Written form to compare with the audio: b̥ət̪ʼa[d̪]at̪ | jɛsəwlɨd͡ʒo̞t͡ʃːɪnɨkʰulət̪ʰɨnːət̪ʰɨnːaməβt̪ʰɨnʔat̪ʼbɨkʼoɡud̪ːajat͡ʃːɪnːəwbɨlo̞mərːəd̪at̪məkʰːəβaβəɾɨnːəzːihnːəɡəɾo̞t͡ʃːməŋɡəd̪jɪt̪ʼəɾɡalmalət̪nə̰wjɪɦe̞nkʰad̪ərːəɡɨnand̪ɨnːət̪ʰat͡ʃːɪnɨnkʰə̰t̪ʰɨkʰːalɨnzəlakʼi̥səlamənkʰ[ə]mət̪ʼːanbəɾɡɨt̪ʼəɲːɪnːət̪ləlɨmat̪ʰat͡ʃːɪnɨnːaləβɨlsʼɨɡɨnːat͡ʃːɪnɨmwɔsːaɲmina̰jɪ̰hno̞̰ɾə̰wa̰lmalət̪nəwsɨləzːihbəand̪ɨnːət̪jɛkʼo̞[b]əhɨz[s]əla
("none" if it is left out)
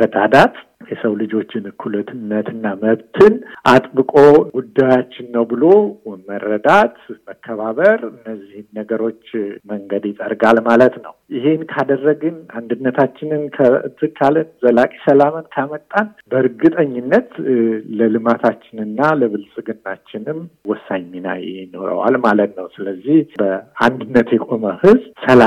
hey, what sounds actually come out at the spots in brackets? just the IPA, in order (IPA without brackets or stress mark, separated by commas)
d̪, a, m, s